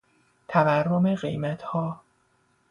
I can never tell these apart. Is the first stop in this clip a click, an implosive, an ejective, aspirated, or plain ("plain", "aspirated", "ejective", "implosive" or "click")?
aspirated